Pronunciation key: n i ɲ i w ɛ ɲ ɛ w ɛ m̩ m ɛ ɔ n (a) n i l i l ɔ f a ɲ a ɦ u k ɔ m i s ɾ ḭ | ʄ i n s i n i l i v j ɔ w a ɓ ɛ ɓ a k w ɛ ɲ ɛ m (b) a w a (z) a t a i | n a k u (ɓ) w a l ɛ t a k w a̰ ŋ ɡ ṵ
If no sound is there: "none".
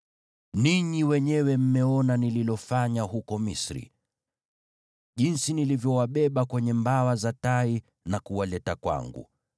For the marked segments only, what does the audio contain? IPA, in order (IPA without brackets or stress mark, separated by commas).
a, b, z, none